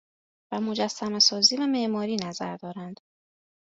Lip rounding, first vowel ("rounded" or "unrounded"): unrounded